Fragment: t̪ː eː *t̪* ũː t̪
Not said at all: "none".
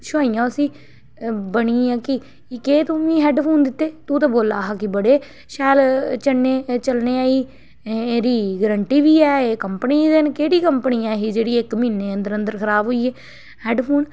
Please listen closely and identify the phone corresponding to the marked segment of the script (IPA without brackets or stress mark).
t̪